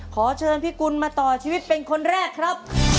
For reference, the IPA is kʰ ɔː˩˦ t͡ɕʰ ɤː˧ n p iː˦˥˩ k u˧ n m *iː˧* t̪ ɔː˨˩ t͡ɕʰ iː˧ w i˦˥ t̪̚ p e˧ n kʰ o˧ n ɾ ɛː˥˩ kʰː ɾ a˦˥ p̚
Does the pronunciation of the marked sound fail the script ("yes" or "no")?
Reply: yes